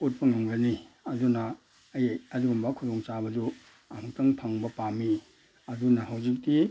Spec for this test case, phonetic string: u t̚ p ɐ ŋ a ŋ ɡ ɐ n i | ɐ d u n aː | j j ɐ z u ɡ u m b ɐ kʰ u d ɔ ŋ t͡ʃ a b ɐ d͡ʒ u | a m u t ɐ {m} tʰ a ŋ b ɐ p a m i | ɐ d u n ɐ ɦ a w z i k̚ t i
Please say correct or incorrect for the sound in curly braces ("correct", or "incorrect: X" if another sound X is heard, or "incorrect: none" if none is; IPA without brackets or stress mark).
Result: incorrect: ŋ